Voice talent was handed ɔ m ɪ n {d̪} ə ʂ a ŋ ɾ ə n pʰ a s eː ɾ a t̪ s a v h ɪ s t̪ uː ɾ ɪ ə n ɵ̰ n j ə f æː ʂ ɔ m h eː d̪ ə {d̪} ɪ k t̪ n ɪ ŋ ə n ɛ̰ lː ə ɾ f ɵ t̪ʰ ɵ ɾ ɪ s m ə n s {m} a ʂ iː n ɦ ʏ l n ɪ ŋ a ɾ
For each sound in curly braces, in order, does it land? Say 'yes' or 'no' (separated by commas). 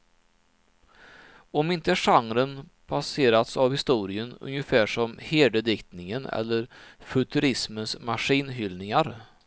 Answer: no, yes, yes